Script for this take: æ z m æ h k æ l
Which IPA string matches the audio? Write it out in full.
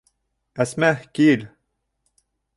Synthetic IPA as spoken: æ s m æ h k i l